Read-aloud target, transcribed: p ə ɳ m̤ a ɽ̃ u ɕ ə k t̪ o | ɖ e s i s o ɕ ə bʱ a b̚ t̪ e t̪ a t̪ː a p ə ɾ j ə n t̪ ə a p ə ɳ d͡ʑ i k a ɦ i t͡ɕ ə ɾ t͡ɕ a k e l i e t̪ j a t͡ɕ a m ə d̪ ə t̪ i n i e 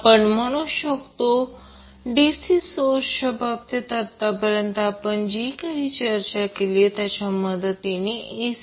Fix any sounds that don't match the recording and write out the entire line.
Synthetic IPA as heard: p ə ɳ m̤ ə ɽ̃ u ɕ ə k t̪ o | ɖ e s i s o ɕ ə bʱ a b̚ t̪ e t̪ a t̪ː a p ə ɾ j ə n t̪ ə a p ə ɳ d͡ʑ i k a ɦ i t͡ɕ ə ɾ t͡ɕ a k e l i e t̪ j a t͡ɕ a m ə d̪ ə t̪ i n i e